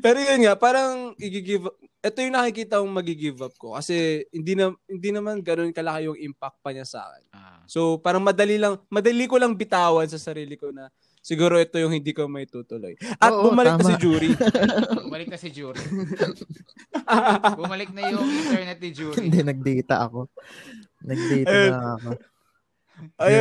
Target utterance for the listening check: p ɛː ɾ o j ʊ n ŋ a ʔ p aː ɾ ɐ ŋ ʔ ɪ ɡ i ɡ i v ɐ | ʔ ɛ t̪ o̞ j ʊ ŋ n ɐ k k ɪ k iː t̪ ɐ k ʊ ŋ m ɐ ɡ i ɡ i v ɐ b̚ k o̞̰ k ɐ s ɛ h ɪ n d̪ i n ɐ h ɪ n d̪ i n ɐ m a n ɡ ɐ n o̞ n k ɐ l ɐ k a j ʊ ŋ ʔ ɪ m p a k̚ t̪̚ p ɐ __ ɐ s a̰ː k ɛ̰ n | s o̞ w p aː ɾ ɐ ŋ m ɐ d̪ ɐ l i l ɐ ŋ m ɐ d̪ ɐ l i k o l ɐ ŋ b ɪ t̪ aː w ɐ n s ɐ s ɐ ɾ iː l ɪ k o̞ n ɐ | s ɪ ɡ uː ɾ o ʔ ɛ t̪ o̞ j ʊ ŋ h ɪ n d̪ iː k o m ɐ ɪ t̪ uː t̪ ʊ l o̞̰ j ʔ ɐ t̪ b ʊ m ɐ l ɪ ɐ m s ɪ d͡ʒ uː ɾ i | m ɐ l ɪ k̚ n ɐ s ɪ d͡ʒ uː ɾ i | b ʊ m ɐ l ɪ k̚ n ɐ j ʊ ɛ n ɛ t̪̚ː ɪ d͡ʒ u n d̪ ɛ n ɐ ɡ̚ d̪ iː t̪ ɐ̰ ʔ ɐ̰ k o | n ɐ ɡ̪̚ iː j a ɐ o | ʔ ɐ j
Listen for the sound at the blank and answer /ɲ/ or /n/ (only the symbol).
ɲ